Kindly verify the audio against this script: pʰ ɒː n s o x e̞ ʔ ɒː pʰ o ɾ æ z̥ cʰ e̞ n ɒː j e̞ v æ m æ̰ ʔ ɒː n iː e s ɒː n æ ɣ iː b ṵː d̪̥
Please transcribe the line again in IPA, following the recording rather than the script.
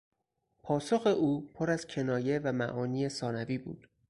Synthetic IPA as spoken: pʰ ɒː s o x e̞ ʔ uː pʰ o ɾ æ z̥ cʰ e̞ n ɒː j e̞ v æ m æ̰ ʔ ɒː n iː e s ɒː n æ v iː b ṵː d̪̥